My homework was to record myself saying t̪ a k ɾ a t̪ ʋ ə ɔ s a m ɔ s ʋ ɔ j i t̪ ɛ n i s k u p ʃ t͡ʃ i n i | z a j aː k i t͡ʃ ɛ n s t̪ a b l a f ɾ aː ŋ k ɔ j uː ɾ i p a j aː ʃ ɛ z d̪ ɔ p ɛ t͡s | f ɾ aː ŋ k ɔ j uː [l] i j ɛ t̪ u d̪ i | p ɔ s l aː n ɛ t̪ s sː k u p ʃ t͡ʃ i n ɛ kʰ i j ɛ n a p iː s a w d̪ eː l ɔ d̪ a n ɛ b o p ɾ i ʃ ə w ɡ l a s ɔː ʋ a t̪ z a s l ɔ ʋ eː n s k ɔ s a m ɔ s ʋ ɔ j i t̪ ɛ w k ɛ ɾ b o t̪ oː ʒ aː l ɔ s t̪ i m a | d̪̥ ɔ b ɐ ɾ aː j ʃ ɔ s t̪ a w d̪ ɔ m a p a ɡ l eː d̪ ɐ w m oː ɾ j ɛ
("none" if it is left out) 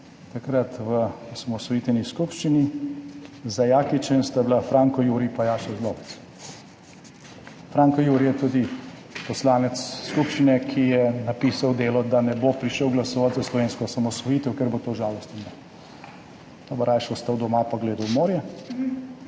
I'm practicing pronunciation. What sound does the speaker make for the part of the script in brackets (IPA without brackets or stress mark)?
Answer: ɾ